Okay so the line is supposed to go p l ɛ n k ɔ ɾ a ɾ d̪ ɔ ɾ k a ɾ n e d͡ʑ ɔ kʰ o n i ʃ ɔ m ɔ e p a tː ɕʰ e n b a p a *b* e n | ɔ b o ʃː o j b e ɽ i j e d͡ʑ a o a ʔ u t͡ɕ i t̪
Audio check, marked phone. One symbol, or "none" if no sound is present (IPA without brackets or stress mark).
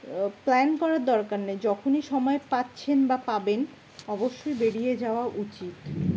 b